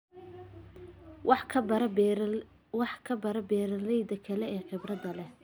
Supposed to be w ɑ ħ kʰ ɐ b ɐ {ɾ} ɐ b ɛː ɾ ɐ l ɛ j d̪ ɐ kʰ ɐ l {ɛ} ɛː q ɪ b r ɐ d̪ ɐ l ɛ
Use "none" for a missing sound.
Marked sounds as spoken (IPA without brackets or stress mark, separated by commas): ɾ, ɛ